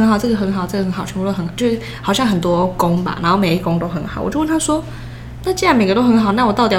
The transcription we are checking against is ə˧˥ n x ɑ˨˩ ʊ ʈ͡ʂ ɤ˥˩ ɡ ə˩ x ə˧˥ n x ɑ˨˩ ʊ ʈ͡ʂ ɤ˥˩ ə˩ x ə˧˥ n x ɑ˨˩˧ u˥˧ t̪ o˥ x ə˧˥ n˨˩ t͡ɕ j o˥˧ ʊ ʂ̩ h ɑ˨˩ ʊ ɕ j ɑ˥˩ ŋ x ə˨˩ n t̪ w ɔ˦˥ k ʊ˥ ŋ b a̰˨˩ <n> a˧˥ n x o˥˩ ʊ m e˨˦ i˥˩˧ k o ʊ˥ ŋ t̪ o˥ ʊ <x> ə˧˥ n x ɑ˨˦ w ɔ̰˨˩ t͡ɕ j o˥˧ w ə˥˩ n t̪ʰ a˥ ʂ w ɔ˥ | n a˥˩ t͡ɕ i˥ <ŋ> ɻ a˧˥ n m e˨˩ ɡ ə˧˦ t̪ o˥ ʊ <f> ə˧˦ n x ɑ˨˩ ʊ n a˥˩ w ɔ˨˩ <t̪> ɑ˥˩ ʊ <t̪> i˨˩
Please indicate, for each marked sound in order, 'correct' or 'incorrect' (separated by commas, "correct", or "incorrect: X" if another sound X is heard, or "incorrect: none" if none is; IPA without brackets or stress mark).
correct, correct, incorrect: none, incorrect: x, correct, correct